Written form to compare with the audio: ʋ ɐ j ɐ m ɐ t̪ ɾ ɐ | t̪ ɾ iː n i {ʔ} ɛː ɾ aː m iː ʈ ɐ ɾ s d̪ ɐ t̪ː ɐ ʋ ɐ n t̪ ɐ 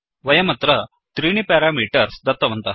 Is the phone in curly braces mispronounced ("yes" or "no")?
yes